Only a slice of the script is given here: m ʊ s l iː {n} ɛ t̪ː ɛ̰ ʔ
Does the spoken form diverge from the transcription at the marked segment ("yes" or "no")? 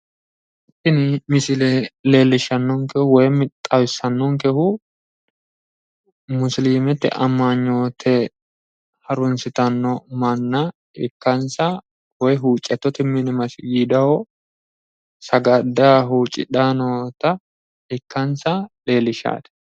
yes